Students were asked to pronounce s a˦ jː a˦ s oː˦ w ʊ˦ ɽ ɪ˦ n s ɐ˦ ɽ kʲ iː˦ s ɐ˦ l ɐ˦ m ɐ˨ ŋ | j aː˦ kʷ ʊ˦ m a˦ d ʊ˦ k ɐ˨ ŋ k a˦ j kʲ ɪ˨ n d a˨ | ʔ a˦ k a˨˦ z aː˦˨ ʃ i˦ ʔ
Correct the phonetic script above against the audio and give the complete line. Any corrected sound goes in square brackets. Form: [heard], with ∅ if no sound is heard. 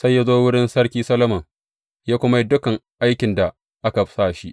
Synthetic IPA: s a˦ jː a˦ [z] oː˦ w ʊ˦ ɽ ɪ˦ n s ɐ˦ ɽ kʲ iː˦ s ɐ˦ l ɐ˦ m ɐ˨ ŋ | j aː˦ kʷ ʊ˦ m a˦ d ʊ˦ k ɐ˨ ŋ [ʔ] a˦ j kʲ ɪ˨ n d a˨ | ʔ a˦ k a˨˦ [s] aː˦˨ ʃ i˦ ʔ